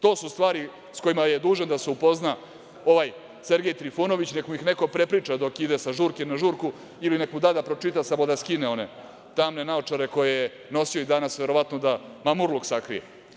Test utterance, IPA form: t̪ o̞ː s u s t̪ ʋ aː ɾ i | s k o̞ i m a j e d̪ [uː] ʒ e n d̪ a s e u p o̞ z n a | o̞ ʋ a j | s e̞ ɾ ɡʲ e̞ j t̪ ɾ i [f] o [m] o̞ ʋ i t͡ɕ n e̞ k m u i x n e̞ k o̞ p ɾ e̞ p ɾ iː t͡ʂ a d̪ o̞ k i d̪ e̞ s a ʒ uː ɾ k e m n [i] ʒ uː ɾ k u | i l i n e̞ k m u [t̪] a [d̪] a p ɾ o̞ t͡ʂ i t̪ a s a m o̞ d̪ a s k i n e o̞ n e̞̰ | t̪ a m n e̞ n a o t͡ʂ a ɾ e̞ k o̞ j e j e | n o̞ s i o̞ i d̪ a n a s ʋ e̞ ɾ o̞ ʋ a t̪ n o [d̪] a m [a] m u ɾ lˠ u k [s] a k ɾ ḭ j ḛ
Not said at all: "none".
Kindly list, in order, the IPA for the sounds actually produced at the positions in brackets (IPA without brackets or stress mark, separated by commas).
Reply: uː, f, n, a, d̪, d̪, d̪, a, s